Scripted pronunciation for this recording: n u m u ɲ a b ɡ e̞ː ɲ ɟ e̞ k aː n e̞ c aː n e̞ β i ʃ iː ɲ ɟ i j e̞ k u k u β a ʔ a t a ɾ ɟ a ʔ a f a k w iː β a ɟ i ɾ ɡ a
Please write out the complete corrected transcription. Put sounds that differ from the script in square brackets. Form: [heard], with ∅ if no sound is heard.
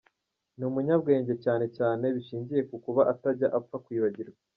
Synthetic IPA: n u m u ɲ a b ɡ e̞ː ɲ ɟ e̞ [c] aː n e̞ c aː n e̞ β i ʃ iː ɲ ɟ i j e̞ k u k u β a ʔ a t a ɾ ɟ a ʔ a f a k w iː β a ɟ i ɾ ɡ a